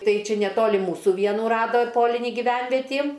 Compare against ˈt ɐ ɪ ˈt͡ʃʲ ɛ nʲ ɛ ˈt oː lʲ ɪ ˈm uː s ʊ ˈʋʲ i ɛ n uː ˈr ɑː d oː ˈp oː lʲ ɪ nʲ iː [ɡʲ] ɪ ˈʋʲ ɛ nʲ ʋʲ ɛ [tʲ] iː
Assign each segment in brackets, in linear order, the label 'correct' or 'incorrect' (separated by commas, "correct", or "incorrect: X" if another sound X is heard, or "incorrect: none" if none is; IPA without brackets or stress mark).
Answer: correct, correct